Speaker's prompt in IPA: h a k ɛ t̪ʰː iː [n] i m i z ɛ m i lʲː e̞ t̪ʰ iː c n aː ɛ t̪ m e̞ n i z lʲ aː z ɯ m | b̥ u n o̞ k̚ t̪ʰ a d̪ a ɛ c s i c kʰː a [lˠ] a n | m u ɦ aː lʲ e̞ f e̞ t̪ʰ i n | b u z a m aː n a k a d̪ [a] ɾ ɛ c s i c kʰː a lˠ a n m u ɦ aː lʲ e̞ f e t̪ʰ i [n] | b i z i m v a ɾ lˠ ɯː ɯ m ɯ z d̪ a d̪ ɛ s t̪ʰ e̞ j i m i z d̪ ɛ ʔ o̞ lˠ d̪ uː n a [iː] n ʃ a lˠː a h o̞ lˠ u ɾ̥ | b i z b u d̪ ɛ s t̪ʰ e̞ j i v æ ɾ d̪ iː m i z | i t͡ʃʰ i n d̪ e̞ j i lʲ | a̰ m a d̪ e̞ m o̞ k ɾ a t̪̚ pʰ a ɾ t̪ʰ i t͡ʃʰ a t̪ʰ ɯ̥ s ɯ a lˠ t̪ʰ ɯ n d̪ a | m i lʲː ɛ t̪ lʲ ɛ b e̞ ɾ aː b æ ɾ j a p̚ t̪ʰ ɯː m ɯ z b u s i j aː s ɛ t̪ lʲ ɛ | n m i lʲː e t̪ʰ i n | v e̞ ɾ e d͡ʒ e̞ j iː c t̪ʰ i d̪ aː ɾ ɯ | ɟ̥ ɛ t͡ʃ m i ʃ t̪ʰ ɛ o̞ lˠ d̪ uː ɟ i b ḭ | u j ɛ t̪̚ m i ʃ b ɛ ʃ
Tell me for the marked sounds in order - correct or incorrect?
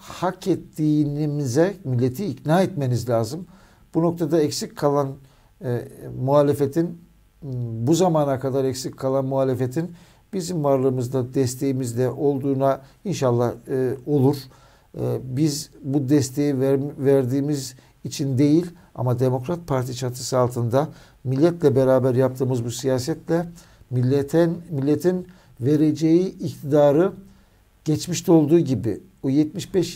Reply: correct, correct, correct, correct, incorrect

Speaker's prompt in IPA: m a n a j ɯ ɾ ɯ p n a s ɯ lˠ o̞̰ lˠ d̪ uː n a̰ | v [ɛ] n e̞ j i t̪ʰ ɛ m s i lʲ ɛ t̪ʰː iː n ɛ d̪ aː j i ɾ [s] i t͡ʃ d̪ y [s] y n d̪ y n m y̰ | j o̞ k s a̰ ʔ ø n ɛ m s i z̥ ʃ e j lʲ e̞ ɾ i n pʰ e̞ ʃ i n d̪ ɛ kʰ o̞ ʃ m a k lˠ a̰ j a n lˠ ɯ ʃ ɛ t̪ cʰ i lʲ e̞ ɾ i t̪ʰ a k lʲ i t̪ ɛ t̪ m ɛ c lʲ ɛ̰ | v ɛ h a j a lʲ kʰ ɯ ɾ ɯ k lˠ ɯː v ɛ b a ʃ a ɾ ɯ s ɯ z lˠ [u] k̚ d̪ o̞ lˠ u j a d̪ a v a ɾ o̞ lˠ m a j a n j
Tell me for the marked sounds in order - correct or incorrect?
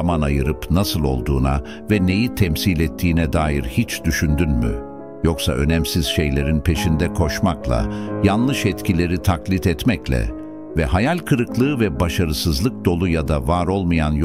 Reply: correct, incorrect, incorrect, incorrect

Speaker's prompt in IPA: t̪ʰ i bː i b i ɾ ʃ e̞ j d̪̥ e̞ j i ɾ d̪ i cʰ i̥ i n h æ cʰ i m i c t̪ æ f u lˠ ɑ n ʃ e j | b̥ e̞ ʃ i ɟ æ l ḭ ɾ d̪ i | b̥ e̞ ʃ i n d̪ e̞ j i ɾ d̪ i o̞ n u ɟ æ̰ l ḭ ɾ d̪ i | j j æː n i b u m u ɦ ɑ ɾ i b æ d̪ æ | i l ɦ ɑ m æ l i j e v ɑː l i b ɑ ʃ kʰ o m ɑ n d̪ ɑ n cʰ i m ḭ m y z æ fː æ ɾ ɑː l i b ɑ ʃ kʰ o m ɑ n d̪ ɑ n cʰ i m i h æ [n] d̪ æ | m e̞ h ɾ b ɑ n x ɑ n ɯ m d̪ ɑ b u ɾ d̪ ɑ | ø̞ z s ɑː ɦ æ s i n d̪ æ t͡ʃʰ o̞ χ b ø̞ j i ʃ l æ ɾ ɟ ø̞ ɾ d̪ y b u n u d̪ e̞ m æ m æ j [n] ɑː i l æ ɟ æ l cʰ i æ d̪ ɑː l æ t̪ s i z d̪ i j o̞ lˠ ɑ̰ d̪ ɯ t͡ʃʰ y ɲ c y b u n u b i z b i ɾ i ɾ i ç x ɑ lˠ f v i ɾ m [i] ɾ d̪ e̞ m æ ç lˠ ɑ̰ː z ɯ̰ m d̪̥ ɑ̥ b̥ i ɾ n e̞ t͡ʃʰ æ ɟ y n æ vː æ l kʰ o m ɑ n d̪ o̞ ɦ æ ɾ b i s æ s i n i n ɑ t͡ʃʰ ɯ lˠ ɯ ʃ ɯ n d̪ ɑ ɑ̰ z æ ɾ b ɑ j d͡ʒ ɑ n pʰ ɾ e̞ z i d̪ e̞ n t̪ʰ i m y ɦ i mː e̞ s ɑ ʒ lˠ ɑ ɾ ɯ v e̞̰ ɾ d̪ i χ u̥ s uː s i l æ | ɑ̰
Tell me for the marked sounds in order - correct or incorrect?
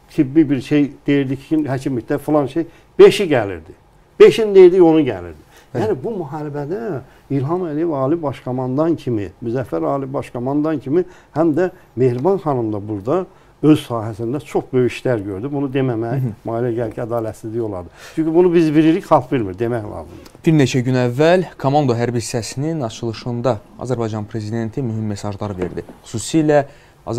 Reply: incorrect, incorrect, correct

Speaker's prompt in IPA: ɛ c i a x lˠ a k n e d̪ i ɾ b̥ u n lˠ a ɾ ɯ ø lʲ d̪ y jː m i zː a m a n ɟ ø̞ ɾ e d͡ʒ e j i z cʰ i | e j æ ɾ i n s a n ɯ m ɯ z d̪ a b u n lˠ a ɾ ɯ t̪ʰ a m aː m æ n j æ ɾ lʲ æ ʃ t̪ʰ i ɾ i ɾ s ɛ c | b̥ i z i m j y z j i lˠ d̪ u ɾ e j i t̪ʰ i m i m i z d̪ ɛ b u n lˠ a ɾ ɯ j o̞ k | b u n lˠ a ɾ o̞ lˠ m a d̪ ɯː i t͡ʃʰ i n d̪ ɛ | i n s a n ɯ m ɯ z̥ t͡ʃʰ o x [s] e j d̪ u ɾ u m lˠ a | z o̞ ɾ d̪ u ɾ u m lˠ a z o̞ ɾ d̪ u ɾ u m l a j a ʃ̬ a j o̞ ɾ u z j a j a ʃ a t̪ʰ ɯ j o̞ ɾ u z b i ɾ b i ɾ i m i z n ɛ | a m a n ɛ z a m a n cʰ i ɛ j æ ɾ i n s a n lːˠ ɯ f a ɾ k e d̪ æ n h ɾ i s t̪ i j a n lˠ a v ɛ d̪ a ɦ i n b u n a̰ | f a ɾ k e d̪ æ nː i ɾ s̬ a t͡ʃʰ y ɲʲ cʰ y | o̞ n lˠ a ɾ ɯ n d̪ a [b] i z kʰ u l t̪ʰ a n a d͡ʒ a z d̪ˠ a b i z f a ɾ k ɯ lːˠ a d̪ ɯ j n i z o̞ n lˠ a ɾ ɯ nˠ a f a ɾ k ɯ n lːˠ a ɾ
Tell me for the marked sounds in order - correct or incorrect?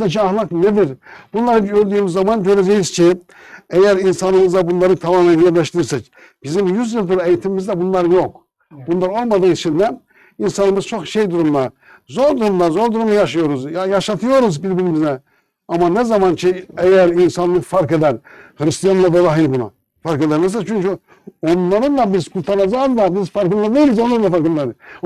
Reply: incorrect, correct

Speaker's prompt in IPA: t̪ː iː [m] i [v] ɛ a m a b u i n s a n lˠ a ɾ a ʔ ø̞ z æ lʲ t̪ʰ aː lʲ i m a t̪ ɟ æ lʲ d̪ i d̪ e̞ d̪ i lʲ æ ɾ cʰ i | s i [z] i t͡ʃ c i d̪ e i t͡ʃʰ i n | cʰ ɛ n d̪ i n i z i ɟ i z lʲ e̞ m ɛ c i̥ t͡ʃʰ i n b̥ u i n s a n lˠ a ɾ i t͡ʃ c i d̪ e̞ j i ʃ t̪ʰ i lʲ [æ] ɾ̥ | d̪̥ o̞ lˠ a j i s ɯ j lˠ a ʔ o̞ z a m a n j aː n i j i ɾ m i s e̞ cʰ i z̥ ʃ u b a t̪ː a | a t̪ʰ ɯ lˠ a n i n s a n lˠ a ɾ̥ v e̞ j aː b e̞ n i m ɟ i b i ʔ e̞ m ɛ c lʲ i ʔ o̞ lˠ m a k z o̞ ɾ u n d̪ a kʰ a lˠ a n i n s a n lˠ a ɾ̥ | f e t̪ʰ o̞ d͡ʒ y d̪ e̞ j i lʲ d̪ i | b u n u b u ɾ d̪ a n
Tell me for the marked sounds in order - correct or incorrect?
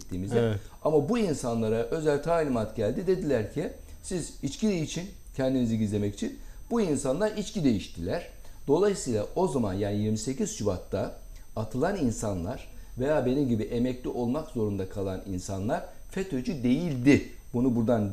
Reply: correct, incorrect, correct, correct

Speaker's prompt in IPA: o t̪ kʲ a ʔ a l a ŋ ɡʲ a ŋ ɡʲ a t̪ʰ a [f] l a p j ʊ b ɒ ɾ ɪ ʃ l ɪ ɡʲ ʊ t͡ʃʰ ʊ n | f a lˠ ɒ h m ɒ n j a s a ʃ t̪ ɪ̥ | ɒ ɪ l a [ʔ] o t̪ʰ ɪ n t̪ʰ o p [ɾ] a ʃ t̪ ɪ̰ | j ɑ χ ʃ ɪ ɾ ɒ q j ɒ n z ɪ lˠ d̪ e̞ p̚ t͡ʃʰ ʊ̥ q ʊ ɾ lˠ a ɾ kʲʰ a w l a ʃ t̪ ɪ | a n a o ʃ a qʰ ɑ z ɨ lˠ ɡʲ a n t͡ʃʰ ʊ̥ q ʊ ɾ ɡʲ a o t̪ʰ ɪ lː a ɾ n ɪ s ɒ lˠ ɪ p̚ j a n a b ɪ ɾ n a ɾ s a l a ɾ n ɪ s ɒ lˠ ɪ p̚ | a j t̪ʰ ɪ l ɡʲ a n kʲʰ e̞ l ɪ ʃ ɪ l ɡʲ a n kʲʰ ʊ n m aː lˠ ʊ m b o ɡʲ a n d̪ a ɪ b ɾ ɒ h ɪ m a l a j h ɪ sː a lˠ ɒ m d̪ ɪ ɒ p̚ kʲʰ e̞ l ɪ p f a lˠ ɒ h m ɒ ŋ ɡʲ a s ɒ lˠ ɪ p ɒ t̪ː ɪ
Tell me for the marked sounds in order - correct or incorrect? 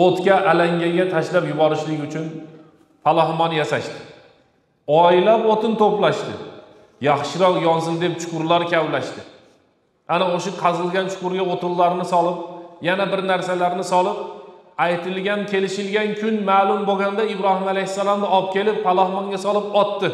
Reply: incorrect, incorrect, incorrect

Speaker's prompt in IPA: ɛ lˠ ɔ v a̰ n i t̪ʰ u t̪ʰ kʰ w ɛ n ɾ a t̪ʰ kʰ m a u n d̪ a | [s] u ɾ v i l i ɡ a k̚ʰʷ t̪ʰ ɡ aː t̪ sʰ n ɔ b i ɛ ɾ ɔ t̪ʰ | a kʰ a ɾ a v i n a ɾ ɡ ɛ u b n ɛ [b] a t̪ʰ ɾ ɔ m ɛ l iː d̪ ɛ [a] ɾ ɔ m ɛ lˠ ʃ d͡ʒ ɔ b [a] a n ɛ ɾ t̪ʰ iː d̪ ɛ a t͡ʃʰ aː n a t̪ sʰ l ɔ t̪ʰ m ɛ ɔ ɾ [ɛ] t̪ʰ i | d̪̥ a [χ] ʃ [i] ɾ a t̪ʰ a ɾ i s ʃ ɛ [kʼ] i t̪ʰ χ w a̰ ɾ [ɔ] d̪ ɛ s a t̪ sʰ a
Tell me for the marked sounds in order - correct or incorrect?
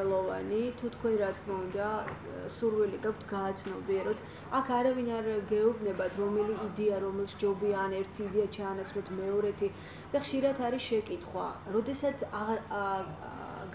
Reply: correct, correct, correct, incorrect, correct, correct, correct, correct, correct

